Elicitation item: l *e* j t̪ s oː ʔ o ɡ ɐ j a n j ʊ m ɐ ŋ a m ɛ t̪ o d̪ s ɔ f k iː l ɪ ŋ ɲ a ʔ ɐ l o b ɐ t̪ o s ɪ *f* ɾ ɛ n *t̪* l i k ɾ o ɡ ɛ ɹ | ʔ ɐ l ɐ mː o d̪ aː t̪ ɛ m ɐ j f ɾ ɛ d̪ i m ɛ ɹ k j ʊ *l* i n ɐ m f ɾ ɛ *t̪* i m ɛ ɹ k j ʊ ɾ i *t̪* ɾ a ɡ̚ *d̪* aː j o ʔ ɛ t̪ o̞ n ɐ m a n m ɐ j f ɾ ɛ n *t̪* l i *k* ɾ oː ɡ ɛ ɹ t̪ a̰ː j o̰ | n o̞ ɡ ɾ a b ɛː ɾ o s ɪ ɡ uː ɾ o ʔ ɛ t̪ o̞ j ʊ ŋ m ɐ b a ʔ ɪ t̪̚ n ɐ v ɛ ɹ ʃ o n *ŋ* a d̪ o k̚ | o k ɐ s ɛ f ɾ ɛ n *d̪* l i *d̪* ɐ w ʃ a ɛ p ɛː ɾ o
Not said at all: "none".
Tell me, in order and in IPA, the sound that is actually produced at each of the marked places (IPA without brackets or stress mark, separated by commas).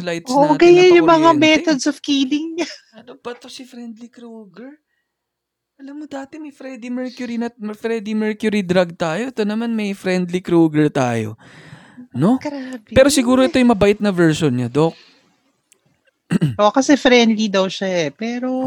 a, f, d̪, ɾ, d̪, d̪, t̪, d̪, k, ɲ, d̪, d̪